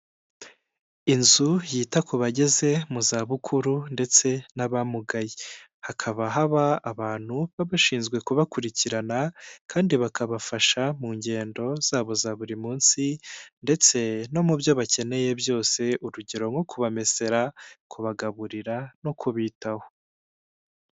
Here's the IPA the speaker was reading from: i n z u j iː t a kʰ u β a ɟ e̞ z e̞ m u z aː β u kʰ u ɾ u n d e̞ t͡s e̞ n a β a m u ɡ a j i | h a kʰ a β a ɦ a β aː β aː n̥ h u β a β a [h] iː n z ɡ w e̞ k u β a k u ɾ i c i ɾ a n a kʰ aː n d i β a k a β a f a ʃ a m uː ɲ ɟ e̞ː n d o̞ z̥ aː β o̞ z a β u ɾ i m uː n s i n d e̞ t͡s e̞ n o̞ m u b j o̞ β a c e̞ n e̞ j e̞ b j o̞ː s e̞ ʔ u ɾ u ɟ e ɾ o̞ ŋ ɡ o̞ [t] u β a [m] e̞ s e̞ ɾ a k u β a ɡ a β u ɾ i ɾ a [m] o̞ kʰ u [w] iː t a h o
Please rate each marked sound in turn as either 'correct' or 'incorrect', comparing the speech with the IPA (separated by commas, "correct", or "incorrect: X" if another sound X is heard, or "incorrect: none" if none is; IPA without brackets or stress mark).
incorrect: ʃ, incorrect: k, correct, incorrect: n, incorrect: β